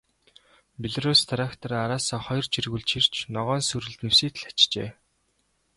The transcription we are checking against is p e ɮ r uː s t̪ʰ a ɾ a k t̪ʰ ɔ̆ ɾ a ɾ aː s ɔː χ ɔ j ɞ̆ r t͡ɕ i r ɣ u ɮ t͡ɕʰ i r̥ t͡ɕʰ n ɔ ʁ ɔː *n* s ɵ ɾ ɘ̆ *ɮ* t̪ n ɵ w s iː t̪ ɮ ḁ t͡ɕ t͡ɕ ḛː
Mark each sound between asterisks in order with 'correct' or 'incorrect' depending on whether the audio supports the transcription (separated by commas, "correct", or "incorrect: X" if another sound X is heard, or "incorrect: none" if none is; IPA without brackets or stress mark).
correct, correct